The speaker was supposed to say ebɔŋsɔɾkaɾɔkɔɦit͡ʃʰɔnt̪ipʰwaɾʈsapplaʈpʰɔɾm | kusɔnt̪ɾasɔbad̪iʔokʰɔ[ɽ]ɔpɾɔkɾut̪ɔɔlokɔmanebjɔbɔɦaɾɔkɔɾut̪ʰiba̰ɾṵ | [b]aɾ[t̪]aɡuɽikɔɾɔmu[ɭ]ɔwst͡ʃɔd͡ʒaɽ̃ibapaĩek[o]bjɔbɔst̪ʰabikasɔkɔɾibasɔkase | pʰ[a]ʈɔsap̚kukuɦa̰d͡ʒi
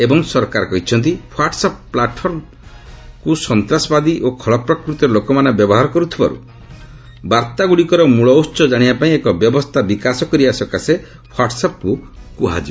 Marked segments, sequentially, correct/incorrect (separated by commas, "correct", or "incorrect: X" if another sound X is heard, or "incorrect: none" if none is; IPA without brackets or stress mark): incorrect: ɭ, correct, correct, correct, incorrect: ɔ, correct